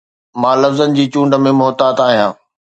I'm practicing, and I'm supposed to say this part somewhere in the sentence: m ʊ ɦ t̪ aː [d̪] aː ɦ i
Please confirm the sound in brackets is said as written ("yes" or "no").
no